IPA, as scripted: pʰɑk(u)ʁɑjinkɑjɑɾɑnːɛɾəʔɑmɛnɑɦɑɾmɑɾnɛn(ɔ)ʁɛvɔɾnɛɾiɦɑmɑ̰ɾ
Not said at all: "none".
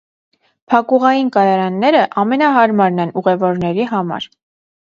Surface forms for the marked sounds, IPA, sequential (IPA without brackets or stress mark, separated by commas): u, u